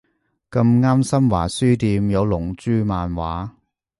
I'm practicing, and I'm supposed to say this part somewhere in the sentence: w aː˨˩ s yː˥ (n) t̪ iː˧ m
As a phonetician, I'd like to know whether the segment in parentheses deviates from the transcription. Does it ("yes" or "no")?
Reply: yes